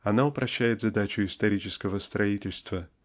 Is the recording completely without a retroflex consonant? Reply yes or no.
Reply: yes